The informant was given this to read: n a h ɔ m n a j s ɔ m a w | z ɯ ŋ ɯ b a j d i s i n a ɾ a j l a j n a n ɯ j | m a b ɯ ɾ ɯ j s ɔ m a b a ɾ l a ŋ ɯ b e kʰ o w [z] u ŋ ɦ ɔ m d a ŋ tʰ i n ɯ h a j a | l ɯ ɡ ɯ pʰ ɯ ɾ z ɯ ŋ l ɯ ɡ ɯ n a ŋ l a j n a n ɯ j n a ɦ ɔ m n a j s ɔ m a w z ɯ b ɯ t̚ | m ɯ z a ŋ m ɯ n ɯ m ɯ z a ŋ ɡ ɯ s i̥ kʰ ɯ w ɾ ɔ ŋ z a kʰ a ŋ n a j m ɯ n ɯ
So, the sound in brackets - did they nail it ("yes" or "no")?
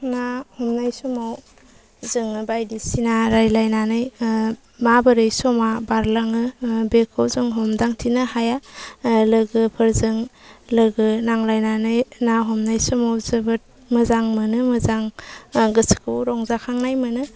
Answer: yes